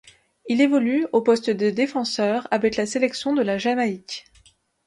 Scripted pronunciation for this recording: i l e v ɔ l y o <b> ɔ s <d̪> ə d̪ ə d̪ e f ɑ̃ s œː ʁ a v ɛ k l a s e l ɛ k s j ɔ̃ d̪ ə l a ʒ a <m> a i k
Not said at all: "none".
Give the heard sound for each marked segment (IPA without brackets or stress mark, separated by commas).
p, t̪, m